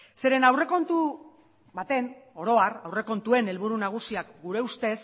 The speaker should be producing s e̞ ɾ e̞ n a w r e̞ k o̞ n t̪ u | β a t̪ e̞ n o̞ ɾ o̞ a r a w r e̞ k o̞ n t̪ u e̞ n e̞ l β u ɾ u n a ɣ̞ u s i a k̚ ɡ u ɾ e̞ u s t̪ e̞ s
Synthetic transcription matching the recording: s e̞ ɾ e̞ n a w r e̞ k o̞ n t̪ u | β a t̪ e̞ n o̞ ɾ o̞ a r a w r e̞ k o̞ n t̪ u e̞ n e̞ l β u ɾ u n a ɣ̞ u s i a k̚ ɡ u ɾ e̞ u s t̪ e̞ s